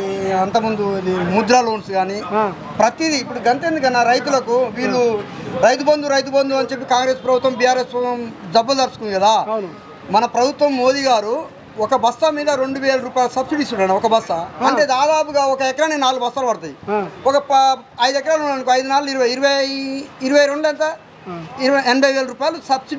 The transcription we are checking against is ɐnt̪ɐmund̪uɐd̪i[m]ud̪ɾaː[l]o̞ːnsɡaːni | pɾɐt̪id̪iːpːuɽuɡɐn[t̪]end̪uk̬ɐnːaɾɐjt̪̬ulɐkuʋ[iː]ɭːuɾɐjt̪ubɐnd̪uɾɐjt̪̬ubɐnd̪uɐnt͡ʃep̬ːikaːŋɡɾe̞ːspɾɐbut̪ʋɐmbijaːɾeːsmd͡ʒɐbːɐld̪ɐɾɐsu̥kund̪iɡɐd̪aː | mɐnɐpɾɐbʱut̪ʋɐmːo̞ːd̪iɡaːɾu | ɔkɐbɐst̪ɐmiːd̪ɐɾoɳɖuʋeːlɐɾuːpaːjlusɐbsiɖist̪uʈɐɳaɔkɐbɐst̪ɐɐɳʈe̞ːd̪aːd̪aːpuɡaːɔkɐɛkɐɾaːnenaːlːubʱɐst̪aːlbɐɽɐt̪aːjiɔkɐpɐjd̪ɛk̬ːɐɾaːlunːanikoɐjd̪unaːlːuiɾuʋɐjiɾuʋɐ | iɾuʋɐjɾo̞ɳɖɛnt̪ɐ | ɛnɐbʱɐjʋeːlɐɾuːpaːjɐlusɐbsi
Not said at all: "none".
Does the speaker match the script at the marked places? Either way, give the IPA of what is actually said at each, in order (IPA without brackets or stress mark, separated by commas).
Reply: m, l, t̪, iː